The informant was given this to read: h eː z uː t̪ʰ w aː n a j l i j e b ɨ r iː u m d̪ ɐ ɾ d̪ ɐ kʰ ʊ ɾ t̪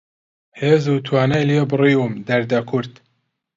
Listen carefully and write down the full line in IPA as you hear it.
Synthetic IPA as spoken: h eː z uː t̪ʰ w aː n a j l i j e b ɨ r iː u m d̪ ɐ ɾ d̪ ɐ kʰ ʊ ɾ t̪